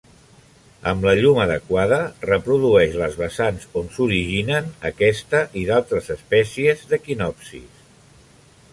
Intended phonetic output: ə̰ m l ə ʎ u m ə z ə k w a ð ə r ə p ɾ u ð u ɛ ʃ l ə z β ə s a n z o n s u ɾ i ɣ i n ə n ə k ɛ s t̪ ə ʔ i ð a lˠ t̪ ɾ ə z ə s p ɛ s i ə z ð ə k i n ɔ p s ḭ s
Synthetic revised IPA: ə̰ m l ə ʎ u m ə ð ə k w a ð ə r ə p ɾ u ð u ɛ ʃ l ə z β ə s a n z o n s u ɾ i ʒ i n ə n ə k ɛ s t̪ ə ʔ i ð a lˠ t̪ ɾ ə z ə s p ɛ s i ə z ð ə k i n ɔ p s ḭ s